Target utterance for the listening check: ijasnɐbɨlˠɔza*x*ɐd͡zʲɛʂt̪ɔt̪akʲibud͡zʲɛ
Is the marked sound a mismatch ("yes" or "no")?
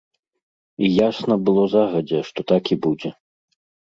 yes